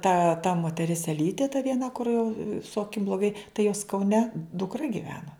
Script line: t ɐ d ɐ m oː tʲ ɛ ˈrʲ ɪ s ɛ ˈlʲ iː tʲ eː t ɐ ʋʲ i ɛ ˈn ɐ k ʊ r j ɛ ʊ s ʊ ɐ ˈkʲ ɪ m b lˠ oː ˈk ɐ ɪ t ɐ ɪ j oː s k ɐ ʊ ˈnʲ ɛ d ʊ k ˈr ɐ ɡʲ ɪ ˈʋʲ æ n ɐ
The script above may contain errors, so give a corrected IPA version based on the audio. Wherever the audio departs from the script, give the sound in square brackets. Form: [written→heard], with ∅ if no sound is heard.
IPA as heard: t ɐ [d→t] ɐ m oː tʲ ɛ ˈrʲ ɪ s ɛ ˈlʲ iː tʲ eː t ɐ ʋʲ i ɛ ˈn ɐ k ʊ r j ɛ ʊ s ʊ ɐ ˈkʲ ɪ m b lˠ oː [ˈk→ˈɡ] ɐ ɪ t ɐ ɪ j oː s k ɐ ʊ ˈnʲ ɛ d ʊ k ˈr ɐ ɡʲ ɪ ˈʋʲ [æ→æː] n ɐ